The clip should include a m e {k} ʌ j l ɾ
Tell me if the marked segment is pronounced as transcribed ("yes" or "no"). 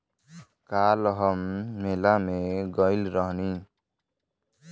no